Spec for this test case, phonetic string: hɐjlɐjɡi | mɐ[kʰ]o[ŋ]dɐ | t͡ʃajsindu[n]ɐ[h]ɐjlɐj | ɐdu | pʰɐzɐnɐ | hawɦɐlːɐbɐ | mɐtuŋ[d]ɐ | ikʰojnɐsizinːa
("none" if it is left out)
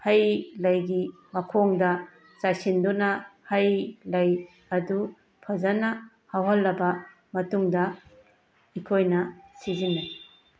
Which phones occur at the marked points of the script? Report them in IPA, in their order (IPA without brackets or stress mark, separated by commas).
kʰ, ŋ, n, h, d